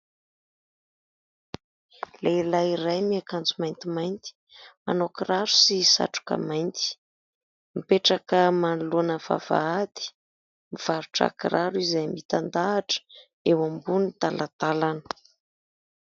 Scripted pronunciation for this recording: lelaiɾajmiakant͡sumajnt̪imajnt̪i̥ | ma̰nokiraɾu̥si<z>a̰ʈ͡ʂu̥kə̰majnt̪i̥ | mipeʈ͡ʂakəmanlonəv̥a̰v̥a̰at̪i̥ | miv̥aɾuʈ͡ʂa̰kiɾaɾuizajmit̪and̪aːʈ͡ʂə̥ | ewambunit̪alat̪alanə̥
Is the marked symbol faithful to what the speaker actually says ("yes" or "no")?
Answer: no